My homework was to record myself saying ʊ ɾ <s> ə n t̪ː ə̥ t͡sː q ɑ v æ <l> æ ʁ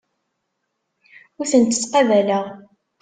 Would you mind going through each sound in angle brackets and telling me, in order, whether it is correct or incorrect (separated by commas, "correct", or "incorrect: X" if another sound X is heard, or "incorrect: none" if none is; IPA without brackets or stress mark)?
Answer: incorrect: θ, correct